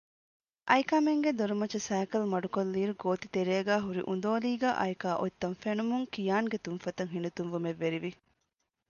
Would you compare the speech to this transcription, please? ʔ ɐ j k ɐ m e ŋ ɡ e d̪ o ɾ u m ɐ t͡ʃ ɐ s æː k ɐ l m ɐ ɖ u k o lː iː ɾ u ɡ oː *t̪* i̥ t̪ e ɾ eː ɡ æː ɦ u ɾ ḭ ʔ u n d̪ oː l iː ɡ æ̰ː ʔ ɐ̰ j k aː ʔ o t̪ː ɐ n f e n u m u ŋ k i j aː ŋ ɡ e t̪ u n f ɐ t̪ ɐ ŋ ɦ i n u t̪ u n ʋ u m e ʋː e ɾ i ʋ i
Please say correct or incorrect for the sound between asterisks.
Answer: correct